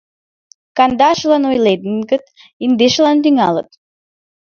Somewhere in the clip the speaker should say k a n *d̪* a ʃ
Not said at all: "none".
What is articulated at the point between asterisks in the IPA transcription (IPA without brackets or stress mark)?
d̪